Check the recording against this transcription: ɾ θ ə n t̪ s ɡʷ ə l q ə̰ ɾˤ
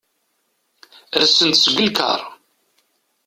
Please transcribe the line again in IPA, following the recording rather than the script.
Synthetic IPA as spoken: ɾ s ə n t̪ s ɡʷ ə l k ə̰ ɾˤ